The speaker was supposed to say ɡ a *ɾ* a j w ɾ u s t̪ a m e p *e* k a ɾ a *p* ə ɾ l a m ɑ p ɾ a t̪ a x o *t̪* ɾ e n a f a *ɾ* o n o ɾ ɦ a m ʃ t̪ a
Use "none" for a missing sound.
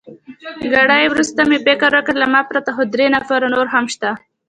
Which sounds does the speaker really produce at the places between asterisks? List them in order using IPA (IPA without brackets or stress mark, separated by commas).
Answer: ɽ, e, k, d̪, ɾ